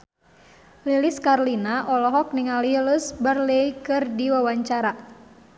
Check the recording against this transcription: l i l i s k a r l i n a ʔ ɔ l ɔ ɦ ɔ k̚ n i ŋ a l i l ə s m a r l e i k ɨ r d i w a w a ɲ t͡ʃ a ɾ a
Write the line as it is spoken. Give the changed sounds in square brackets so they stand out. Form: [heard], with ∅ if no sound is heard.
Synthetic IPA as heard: l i l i s k a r l i n a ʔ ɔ l ɔ ɦ ɔ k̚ n i ŋ a l i l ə s [b] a r l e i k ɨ r d i w a w a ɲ t͡ʃ a ɾ a